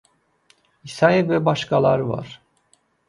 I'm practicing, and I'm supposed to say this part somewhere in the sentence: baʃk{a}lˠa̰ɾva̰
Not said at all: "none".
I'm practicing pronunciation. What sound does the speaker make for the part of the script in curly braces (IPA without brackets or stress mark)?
a